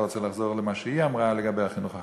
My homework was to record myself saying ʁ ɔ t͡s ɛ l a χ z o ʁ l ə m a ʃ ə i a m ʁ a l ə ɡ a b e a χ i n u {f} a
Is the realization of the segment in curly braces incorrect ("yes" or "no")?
yes